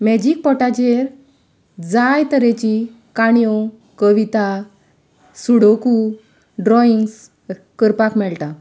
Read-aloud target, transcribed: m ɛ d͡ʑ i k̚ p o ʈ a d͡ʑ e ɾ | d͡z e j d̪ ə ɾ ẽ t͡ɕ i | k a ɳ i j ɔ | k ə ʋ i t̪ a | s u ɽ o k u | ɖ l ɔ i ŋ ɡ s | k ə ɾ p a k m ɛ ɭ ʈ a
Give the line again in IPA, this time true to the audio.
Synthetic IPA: m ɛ d͡ʑ i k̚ p ɔ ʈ a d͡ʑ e ɾ | d͡z a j t̪ ə ɾ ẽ t͡ɕ i | k a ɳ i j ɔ | k ə ʋ i t̪ a | s u ɽ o k u | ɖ ɾ ɔ i ŋ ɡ s | k ə ɾ p a k m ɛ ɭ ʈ a